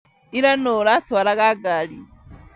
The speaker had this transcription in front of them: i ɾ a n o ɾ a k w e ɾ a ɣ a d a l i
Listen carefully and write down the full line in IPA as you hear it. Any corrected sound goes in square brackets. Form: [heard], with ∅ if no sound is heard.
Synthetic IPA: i ɾ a n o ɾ a [t] w [a] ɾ a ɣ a [ɡ] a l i